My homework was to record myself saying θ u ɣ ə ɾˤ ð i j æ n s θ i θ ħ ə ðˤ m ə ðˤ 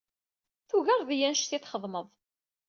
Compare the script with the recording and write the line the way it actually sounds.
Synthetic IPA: θ u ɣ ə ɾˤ ð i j æ n ʃ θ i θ χ ə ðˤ m ə ðˤ